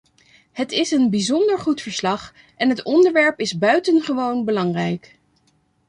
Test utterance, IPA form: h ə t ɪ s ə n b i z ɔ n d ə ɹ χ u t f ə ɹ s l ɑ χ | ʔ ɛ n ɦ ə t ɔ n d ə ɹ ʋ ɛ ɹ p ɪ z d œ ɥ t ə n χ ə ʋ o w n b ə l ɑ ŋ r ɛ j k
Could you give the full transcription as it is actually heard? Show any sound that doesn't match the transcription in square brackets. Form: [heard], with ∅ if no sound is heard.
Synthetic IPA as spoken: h ə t ɪ s ə n b i z ɔ n d ə ɹ χ u t f ə ɹ s l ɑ χ | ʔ ɛ n ɦ ə t ɔ n d ə ɹ ʋ ɛ ɹ p ɪ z [b] œ ɥ t ə n χ ə ʋ o w n b ə l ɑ ŋ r ɛ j k